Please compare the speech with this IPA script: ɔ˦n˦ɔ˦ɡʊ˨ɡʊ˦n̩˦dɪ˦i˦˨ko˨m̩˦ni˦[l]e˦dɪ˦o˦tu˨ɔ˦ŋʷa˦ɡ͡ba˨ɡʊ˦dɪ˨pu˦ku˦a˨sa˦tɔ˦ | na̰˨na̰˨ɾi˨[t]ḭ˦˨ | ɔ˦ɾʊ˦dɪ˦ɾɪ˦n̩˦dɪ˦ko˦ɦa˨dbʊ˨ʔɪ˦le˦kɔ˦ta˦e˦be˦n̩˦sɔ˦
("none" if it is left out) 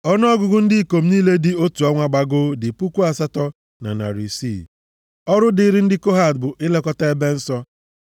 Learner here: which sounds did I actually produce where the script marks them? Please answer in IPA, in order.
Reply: l, s

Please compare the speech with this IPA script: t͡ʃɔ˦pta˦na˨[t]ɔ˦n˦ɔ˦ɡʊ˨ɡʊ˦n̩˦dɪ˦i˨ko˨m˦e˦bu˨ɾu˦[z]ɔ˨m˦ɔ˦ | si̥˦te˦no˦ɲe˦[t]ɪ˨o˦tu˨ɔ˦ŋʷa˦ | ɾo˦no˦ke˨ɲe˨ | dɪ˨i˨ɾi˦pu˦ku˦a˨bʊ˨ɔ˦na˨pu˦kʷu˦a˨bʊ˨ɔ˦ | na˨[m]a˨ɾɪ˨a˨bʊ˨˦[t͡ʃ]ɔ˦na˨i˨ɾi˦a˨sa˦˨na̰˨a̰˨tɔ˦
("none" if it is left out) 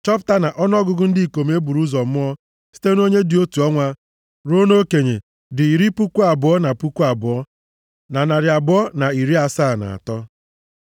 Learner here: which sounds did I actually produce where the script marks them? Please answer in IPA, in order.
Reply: ʔ, z, d, n, none

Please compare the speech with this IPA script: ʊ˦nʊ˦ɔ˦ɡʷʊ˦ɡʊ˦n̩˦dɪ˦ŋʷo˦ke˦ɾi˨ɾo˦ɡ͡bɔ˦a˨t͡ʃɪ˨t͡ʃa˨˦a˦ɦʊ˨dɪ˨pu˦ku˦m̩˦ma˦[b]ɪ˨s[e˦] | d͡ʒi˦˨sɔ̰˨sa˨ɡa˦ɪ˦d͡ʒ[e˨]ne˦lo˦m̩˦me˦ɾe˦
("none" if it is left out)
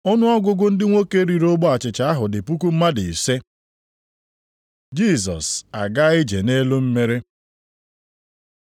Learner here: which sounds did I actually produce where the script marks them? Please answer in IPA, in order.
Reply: d, e˦, e˨

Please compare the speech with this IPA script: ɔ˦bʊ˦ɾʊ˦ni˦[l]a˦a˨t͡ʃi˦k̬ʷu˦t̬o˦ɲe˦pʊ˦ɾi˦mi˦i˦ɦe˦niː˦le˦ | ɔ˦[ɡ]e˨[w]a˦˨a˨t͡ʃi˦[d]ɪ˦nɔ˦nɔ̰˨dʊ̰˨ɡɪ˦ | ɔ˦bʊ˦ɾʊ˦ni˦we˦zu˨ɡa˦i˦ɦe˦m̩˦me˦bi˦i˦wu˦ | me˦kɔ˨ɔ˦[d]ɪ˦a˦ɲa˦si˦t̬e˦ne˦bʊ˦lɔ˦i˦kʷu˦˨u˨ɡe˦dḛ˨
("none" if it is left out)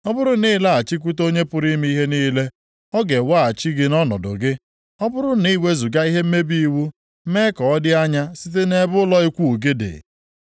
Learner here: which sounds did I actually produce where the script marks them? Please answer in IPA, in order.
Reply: l, ɡ, w, ɡ, d

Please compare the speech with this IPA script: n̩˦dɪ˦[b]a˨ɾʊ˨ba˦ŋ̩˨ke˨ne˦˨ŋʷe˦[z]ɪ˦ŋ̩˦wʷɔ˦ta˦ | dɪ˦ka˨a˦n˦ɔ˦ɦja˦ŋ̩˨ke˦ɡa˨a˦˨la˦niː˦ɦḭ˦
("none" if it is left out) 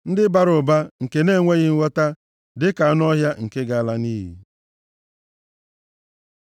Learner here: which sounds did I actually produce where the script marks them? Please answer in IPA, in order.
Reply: b, ɣ

